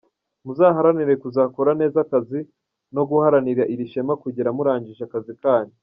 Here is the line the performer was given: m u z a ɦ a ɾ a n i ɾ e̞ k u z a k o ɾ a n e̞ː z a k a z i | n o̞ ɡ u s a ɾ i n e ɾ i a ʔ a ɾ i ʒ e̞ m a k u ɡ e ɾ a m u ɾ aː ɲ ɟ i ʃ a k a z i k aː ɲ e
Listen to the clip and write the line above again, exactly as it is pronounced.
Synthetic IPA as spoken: m u z a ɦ a ɾ a n i ɾ e̞ k u z a k o ɾ a n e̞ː z a k a z i | n o̞ ɡ u h a ɾ a n i ɾ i a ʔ i ɾ i ʃ e̞ m a k u ɟ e ɾ a m u ɾ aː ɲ ɟ i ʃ a k a z i k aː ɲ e